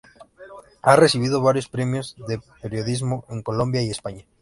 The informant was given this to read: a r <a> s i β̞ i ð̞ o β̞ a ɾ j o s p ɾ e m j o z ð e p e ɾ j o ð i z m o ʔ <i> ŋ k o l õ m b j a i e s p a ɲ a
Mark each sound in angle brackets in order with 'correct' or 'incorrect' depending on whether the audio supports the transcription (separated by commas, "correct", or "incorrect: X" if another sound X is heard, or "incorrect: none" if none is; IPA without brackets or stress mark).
incorrect: e, incorrect: e